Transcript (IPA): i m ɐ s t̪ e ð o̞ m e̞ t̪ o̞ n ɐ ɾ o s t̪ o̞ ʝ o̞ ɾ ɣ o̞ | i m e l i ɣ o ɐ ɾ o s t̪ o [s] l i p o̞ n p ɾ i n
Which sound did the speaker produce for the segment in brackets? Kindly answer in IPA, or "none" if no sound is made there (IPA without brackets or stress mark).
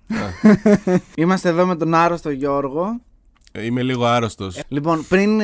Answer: s